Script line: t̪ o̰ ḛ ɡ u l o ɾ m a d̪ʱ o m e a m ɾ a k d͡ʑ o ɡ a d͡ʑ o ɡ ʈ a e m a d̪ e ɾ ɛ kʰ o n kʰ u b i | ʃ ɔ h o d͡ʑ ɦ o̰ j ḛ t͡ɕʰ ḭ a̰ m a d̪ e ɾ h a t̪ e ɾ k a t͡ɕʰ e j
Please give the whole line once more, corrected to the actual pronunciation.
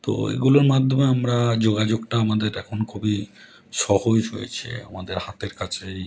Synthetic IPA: t̪ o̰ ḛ ɡ u l o ɾ m a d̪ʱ o m e a m ɾ a d͡ʑ o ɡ a d͡ʑ o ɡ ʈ a a m a d̪ e ɾ ɛ kʰ o n kʰ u b i | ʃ ɔ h o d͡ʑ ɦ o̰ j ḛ t͡ɕʰ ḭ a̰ m a d̪ e ɾ h a t̪ e ɾ k a t͡ɕʰ e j